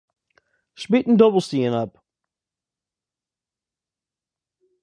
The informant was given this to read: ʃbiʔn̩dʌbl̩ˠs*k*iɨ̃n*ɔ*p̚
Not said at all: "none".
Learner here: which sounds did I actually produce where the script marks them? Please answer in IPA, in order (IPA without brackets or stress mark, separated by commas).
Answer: t, ʌ